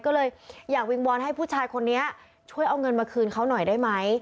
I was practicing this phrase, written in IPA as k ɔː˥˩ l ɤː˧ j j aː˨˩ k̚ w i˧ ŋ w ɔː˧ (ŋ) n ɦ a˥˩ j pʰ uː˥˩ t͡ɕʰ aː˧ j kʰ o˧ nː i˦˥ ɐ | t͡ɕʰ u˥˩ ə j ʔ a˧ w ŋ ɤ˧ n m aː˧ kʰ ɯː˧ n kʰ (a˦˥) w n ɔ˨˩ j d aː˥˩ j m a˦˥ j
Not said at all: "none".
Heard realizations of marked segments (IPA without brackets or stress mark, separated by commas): none, a˦˥